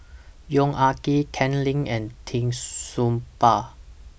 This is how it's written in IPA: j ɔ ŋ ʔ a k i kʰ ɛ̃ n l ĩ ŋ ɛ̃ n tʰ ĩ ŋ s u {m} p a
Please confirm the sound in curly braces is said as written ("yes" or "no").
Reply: yes